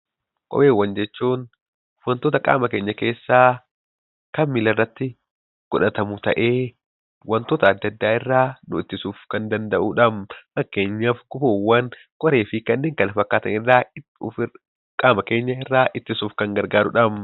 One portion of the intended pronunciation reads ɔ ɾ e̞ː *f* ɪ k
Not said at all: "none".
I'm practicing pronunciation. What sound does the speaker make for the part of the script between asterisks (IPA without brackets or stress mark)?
f